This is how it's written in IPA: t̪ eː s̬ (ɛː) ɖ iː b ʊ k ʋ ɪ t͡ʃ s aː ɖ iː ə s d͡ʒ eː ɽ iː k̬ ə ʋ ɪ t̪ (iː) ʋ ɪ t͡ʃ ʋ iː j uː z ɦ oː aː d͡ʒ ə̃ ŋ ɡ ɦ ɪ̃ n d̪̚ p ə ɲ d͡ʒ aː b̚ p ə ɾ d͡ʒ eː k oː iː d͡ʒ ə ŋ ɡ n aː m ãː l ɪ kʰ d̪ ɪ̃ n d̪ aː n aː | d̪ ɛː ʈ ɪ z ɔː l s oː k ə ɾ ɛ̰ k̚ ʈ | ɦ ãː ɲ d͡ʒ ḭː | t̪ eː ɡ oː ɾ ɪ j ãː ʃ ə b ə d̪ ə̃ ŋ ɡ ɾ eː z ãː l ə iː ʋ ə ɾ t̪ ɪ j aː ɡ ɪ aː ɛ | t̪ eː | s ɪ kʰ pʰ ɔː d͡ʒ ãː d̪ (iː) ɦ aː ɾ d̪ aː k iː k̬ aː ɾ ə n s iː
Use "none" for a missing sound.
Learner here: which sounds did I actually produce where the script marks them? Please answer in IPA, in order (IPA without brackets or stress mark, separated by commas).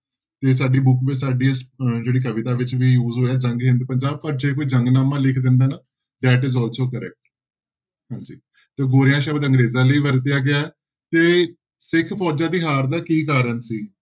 aː, aː, iː